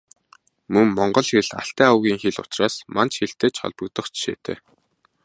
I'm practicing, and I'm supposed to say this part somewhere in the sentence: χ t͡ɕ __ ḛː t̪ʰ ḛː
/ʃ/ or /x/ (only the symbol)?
ʃ